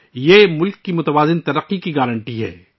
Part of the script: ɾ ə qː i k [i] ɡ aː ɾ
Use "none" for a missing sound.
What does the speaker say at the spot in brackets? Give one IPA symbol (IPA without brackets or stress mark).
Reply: i